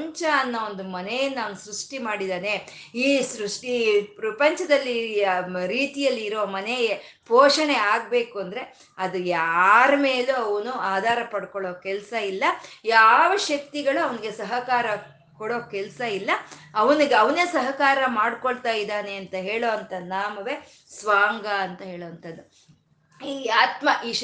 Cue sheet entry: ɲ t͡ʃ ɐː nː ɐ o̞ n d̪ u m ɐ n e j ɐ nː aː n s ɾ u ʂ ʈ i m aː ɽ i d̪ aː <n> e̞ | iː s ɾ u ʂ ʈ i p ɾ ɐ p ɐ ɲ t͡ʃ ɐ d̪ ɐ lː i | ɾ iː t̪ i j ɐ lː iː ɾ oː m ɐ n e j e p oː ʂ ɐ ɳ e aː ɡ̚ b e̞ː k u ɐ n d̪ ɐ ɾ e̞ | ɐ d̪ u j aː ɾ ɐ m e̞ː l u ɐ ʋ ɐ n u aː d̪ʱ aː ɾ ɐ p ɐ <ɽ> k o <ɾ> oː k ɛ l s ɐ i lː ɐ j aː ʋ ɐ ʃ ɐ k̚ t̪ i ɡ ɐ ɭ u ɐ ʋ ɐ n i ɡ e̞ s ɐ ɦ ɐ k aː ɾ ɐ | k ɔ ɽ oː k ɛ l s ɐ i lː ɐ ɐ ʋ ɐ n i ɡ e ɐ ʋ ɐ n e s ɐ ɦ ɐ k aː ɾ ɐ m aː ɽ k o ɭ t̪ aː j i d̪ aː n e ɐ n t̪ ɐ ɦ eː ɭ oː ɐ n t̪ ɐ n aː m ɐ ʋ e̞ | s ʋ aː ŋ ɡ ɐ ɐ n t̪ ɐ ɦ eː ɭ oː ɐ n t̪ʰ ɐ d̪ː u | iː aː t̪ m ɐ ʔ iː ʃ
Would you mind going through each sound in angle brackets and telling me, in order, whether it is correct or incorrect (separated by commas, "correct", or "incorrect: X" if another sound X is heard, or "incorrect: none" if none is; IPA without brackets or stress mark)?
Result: correct, correct, incorrect: ɭ